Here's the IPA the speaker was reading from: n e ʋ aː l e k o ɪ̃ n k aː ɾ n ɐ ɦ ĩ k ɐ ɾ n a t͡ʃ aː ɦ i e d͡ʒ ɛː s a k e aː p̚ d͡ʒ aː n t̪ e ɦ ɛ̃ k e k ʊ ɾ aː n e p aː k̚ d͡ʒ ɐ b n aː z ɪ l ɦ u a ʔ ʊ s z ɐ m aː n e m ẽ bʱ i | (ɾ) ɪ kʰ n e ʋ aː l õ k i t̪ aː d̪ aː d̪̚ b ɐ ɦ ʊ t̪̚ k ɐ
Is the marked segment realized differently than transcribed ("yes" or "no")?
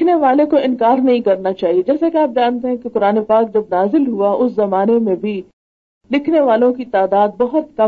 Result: yes